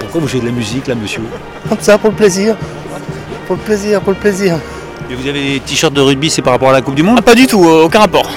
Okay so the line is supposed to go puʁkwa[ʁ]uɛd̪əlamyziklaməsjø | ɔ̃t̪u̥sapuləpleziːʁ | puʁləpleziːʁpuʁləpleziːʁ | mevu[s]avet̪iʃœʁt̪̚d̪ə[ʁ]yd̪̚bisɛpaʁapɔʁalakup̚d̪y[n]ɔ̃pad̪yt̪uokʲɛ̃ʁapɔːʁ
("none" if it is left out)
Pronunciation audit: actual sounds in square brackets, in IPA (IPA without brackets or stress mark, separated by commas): v, z, ʁ, m